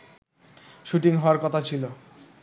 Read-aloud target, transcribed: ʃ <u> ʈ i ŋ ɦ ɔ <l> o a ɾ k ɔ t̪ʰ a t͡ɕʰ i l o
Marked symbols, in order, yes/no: yes, no

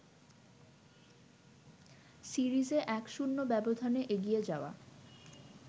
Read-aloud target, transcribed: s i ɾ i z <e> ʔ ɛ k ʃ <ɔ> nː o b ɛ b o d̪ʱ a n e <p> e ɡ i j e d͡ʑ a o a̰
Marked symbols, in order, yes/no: yes, no, no

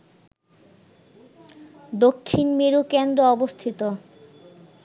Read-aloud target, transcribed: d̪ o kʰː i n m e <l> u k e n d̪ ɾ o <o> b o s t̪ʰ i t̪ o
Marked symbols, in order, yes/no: no, no

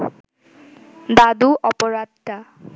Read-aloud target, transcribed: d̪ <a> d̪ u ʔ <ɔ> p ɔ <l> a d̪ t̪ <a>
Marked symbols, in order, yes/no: yes, yes, no, yes

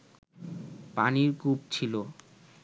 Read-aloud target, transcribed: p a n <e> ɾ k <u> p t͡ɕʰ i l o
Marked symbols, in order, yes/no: no, yes

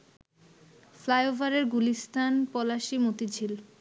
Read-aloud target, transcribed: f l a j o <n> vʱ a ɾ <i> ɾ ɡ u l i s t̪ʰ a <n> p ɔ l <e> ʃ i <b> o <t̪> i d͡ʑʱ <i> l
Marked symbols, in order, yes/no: no, no, yes, no, no, yes, yes

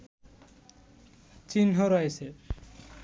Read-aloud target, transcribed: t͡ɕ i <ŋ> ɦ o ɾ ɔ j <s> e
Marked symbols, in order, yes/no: no, yes

